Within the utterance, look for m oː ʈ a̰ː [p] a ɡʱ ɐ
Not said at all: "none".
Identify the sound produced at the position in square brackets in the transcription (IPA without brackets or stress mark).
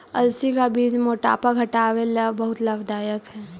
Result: p